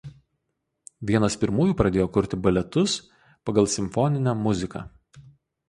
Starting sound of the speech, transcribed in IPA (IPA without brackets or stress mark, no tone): ʋʲ